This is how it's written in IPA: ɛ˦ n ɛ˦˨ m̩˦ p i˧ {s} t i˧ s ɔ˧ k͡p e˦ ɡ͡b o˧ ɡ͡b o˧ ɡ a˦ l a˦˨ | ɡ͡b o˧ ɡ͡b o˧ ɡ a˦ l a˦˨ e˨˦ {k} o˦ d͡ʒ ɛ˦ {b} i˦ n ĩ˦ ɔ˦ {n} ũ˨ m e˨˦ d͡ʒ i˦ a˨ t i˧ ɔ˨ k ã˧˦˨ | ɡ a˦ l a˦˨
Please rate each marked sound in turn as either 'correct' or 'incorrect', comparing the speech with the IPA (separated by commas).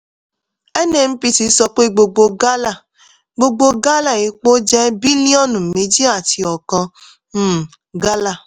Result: incorrect, incorrect, correct, correct